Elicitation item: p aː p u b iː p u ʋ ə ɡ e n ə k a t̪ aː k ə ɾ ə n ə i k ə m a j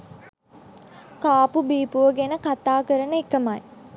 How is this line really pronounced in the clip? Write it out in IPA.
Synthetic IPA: k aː p u b iː p u ʋ ə ɡ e n ə k a t̪ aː k ə ɾ ə n ə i k ə m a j